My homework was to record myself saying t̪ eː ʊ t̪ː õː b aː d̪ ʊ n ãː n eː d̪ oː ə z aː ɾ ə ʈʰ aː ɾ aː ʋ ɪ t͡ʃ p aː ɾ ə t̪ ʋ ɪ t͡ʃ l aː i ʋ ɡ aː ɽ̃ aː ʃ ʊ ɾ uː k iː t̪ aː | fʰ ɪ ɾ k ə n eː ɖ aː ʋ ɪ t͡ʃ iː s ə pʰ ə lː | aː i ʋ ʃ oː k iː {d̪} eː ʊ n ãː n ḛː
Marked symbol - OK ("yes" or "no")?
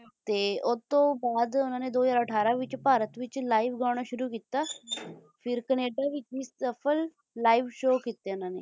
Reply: no